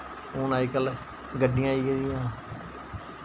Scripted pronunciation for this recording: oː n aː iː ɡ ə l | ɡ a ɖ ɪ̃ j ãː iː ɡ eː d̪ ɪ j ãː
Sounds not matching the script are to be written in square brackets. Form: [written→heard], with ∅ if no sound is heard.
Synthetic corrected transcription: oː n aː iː [ɡ→k] ə l | ɡ [a→ə] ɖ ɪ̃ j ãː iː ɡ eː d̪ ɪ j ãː